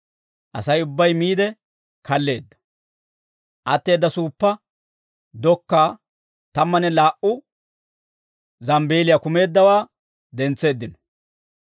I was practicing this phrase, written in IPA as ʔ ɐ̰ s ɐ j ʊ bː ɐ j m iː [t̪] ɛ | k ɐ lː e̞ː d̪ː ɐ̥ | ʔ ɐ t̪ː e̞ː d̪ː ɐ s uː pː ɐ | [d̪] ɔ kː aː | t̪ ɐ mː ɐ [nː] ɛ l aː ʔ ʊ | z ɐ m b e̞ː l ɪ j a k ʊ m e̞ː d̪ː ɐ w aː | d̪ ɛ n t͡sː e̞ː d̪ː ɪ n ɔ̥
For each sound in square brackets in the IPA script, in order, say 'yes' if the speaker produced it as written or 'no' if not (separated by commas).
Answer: no, yes, no